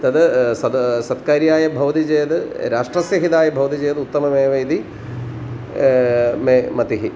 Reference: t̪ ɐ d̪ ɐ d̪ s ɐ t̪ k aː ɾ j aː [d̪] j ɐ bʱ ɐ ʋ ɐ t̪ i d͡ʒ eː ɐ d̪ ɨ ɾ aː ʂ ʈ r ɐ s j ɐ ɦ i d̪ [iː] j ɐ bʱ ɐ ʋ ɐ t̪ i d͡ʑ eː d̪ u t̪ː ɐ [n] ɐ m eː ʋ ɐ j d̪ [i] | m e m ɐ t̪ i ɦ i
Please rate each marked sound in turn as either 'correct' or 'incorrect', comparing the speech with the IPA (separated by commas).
incorrect, incorrect, incorrect, correct